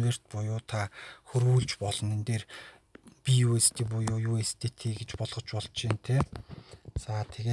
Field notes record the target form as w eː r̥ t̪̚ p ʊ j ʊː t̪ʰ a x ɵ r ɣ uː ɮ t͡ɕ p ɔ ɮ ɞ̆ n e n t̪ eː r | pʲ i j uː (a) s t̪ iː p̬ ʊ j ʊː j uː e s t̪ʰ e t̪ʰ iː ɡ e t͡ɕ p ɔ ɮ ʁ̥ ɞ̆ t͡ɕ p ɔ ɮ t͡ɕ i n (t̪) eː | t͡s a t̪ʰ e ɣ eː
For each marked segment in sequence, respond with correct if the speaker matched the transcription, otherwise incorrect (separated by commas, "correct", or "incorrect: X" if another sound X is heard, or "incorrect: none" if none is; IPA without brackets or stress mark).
incorrect: e, incorrect: t̪ʰ